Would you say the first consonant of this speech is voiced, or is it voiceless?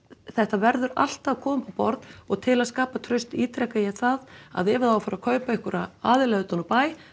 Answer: voiceless